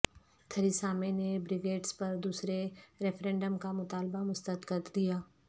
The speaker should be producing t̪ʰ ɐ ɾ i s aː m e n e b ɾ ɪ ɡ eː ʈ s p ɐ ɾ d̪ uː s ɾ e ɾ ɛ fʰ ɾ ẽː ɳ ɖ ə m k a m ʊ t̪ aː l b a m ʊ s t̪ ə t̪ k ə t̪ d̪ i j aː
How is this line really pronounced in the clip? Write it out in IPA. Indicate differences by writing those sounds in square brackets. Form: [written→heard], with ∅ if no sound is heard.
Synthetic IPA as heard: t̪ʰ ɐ ɾ i s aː m e n e b ɾ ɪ ɡ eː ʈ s p ɐ ɾ d̪ uː s ɾ e ɾ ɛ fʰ ɾ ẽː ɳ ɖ ə m k a m ʊ t̪ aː l b a m ʊ s t̪ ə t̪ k ə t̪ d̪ i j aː